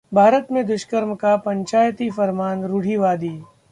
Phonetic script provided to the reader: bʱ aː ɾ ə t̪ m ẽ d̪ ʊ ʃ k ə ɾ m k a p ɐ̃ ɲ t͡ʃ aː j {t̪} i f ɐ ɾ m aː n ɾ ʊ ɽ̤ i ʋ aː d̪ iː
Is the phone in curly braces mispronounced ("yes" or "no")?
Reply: no